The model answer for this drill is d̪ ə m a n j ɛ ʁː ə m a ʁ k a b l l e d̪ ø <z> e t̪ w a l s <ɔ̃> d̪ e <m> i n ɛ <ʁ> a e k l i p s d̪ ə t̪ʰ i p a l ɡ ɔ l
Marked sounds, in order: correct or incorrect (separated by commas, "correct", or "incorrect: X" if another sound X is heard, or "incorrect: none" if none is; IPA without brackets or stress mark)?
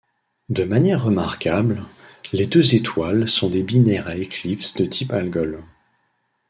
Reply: correct, correct, incorrect: b, correct